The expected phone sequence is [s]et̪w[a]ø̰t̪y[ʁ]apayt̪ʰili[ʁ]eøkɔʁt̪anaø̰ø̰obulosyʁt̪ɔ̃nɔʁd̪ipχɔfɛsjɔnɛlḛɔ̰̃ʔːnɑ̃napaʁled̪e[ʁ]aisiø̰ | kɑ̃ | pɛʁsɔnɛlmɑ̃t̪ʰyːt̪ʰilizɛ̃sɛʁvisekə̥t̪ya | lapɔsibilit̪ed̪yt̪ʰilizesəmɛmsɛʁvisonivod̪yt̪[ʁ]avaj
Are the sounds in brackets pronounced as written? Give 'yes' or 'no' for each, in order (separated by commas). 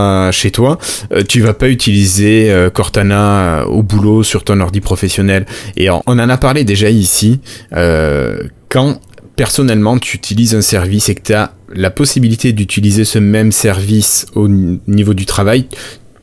no, yes, no, no, no, no